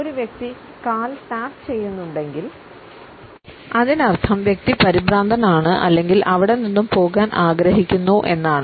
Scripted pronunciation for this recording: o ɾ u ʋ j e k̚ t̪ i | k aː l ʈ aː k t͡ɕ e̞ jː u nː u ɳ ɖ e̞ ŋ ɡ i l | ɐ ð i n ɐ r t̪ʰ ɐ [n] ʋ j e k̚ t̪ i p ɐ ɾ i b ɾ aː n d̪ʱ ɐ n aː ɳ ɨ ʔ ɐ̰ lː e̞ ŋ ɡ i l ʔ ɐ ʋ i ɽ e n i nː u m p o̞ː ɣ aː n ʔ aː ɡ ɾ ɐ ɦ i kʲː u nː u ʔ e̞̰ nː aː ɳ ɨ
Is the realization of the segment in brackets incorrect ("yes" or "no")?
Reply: yes